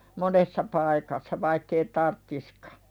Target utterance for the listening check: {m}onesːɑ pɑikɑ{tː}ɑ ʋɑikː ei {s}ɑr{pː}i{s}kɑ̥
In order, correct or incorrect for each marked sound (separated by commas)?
correct, incorrect, incorrect, incorrect, correct